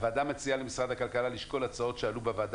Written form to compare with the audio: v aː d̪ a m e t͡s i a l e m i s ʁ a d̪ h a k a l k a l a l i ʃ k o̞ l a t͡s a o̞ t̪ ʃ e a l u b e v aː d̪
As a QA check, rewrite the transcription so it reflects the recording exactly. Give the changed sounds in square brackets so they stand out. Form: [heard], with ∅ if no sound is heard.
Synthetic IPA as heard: v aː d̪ a m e t͡s i a l e m i s ʁ a d̪ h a k a l k a l a l i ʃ k o̞ l a t͡s a o̞ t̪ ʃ e a l u b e v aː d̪